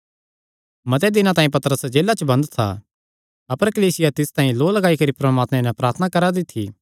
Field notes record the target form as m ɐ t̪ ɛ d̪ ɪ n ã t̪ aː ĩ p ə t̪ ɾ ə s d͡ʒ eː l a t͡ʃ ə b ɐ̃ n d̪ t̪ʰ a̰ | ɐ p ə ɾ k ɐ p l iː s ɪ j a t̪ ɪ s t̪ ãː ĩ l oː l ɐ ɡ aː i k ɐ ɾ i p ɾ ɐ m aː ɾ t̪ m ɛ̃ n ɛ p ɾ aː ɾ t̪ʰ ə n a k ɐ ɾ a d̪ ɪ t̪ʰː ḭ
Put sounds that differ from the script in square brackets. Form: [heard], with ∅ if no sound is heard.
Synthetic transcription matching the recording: m ɐ t̪ ɛ d̪ ɪ n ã t̪ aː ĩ p [ɐ] t̪ ɾ ə s d͡ʒ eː l a t͡ʃ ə b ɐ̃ n d̪ t̪ʰ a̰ | ɐ p ə ɾ k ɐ [∅] l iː s ɪ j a t̪ ɪ s t̪ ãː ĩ l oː l ɐ ɡ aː i k ɐ ɾ i p ɾ ɐ m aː [∅] t̪ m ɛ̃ n ɛ p ɾ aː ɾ t̪ʰ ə n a k ɐ ɾ a d̪ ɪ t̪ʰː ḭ